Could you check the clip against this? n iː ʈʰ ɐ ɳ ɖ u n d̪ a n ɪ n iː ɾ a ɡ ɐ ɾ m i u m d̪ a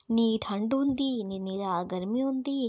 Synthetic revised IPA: n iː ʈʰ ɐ ɳ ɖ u n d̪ i n i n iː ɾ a ɡ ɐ ɾ m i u n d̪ i